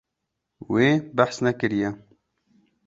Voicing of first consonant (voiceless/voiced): voiced